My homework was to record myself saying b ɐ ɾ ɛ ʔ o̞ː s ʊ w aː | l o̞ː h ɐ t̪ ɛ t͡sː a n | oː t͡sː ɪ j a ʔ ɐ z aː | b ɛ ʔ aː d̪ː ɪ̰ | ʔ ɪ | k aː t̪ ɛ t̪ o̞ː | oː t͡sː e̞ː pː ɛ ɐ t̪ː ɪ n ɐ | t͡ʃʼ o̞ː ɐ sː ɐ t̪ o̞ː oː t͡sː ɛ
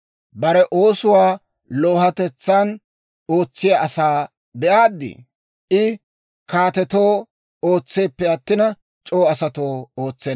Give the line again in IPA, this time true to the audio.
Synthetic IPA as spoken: b ɐ ɾ ɛ ʔ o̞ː s ʊ w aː | l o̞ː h ɐ t̪ ɛ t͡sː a n | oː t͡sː ɪ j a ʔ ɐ s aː | b ɛ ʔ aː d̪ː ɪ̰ | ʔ ɪ | k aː t̪ ɛ t̪ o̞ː | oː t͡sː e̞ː pː ɛ ɐ t̪ː ɪ n ɐ | t͡ʃʼ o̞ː ɐ s ɐ t̪ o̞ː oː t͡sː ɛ